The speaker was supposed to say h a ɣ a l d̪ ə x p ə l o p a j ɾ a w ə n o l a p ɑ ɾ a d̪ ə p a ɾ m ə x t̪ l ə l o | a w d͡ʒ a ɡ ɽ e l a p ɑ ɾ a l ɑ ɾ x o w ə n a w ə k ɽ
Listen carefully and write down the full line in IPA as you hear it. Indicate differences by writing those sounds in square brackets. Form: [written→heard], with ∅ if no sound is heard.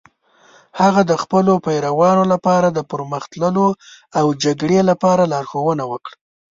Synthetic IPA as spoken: h a ɣ a [l→∅] d̪ ə x p ə l o p a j ɾ a w [ə→ɑ] n o l a p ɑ ɾ a d̪ ə p [a→ə] ɾ m ə x t̪ l ə l o | a w d͡ʒ a ɡ ɽ e l a p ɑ ɾ a l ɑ ɾ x o w ə n a w ə k ɽ